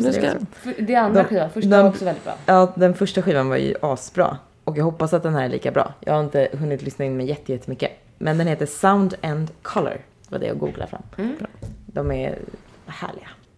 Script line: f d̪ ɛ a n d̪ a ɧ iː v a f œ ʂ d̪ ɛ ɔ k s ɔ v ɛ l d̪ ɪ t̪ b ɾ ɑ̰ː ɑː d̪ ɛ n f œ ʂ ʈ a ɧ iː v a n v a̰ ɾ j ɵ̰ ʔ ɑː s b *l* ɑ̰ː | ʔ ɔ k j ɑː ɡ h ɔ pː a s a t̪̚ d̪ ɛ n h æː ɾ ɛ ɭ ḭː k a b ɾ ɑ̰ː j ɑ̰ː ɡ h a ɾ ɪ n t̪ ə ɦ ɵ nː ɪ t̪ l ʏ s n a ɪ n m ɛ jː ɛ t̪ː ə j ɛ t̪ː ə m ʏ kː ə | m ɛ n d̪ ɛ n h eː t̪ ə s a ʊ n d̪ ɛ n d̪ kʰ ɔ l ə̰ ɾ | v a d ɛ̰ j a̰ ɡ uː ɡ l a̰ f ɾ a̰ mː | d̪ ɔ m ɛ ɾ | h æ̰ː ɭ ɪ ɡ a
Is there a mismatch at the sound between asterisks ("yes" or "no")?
yes